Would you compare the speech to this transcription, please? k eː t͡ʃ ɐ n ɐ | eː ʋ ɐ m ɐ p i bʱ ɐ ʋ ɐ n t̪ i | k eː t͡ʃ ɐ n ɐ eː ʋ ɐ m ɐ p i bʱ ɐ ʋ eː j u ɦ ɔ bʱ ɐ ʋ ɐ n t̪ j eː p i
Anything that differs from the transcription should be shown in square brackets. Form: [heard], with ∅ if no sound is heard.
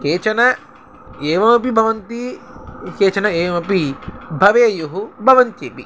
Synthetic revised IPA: k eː t͡ʃ ɐ n ɐ | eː ʋ ɐ m ɐ p i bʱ ɐ ʋ ɐ n t̪ i | k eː t͡ʃ ɐ n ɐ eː ʋ ɐ m ɐ p i bʱ ɐ ʋ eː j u ɦ [u] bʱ ɐ ʋ ɐ n t̪ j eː p i